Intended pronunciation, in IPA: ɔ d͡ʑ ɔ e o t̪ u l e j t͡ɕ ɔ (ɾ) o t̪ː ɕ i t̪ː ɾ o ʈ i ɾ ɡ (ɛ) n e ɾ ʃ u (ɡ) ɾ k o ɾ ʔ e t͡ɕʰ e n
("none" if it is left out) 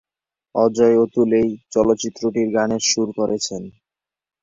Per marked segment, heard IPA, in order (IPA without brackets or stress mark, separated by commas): l, a, none